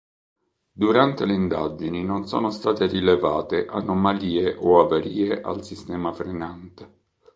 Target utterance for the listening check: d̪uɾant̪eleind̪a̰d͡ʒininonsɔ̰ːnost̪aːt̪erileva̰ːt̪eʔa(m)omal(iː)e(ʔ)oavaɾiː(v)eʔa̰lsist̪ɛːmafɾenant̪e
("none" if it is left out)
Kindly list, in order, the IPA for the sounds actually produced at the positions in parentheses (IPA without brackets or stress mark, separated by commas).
n, iː, ʔ, none